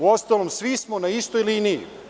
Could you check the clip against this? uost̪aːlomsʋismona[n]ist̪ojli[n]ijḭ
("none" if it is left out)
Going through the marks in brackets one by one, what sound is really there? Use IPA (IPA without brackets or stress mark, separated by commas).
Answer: none, n